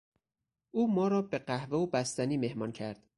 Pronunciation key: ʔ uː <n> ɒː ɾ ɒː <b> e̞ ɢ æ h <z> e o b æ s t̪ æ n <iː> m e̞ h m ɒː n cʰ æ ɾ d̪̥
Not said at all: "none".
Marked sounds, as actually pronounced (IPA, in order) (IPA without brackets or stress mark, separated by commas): m, b, v, iː